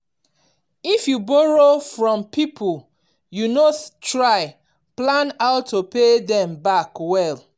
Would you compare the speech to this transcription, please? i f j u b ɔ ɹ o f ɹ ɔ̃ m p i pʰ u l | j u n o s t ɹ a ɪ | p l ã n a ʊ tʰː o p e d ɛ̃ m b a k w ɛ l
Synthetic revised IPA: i f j u b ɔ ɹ o f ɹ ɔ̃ m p i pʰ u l | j u n o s t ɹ a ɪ | p l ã n a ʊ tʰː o p e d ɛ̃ m b a k w ɛ l